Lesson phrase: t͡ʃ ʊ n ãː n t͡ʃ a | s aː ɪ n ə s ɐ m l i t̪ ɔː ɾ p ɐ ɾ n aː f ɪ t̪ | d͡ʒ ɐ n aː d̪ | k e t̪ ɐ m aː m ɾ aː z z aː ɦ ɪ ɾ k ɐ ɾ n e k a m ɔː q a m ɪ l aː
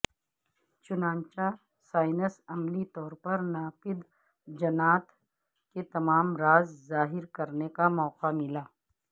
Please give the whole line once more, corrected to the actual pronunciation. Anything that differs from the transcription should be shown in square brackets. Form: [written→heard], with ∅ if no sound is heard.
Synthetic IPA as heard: t͡ʃ ʊ n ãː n t͡ʃ a | s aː ɪ n ə s ɐ m l i t̪ ɔː ɾ p ɐ ɾ n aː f ɪ [t̪→d̪] | d͡ʒ ɐ n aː [d̪→t̪] | k e t̪ ɐ m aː m ɾ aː z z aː ɦ ɪ ɾ k ɐ ɾ n e k a m ɔː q a m ɪ l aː